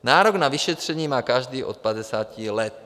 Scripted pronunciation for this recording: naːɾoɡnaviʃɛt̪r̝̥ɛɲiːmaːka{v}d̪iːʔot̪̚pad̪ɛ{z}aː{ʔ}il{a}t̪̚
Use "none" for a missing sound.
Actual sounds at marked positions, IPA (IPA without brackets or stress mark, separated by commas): ʒ, s, c, ɛ